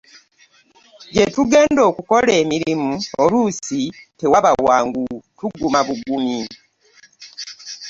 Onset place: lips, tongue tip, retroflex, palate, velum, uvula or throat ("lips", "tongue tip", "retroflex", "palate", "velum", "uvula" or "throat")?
palate